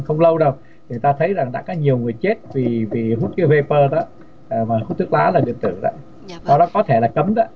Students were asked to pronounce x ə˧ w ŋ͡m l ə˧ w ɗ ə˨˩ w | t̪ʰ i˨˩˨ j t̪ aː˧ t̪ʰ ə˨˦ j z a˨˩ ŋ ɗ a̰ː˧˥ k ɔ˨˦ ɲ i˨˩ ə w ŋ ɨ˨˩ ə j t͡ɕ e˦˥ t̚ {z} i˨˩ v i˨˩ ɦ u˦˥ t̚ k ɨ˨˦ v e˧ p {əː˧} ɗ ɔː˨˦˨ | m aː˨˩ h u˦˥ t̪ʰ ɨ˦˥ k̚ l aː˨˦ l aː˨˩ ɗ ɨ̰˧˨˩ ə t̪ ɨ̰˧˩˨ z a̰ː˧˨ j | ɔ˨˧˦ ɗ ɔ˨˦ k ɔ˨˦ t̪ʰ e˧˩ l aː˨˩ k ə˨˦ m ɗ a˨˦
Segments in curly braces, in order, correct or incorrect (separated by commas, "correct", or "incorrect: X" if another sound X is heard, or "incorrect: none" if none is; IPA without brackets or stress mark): incorrect: v, correct